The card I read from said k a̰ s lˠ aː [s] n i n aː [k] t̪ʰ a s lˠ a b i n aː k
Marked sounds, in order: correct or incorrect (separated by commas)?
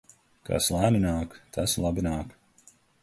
incorrect, correct